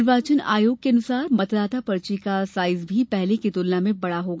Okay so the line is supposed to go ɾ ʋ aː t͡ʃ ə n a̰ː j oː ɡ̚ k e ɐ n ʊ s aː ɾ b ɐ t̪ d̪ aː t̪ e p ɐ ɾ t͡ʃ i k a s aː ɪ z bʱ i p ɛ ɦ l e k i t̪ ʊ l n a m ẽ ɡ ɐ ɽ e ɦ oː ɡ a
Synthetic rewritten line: ɾ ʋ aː t͡ʃ ə n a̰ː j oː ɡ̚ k e ɐ n ʊ s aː ɾ m ɐ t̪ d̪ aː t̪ a p ɐ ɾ t͡ʃ i k a s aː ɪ z bʱ i p ɛ ɦ l e k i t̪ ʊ l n a m ẽ b ɐ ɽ a ɦ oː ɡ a

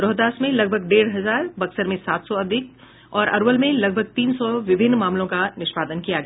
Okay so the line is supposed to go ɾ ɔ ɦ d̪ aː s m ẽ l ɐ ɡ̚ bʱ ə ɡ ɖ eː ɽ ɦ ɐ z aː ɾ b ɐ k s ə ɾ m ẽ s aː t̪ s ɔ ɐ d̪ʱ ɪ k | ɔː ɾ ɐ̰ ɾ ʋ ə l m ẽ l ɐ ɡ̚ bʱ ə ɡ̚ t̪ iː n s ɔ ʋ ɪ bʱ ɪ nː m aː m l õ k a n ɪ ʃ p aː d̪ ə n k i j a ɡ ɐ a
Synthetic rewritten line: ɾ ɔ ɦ d̪ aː s m ẽ l ɐ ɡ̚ bʱ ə ɡ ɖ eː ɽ ɦ ɐ z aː ɾ b ɐ k s ə ɾ m ẽ s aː t̪ s ɔ ɐ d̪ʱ ɪ k | ɔː ɾ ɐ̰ ɾ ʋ ə l m ẽ l ɐ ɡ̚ bʱ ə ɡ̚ t̪ iː n s ɔ ʋ ɪ bʱ ɪ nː m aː m l õ k a n ɪ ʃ p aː d̪ ə n k i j a ɡ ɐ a

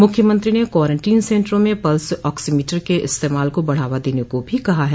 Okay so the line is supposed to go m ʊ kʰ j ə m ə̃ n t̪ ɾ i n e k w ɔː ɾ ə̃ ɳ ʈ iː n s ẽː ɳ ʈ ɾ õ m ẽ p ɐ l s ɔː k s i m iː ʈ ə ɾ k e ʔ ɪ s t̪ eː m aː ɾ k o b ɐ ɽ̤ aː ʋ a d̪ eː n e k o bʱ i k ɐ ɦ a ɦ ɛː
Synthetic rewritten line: m ʊ kʰ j ə m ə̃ n t̪ ɾ i n e k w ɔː ɾ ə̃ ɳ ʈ iː n s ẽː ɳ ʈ ɾ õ m ẽ p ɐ l s ɔː k s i m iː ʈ ə ɾ k e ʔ ɪ s t̪ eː m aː l k o b ɐ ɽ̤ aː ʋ a d̪ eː n e k o bʱ i k ɐ ɦ a ɦ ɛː

